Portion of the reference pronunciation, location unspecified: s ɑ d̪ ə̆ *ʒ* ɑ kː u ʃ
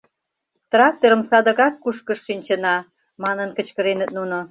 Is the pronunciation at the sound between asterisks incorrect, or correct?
incorrect: ɣ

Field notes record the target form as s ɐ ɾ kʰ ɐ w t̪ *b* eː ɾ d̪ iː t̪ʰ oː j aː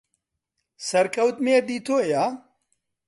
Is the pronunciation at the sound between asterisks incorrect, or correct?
incorrect: m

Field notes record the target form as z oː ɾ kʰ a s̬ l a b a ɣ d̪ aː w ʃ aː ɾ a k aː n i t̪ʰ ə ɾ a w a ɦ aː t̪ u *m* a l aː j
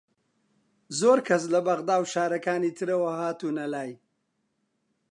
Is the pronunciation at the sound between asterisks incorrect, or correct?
incorrect: n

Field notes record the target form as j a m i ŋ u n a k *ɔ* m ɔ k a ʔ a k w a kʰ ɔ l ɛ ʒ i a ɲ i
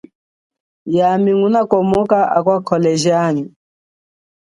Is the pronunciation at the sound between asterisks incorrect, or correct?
correct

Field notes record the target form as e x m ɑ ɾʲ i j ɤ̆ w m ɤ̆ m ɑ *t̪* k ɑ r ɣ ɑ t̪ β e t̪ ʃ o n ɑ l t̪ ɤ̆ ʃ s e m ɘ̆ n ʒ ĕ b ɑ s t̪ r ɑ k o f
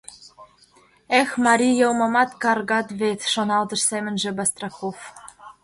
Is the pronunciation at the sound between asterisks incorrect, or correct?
correct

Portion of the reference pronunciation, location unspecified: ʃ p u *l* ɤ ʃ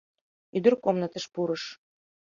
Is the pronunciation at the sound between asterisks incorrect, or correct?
incorrect: ɾ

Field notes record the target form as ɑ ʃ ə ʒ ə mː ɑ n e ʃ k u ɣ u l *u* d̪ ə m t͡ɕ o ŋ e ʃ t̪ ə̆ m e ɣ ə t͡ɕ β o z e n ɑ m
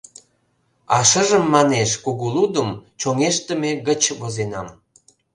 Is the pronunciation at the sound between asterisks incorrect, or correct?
correct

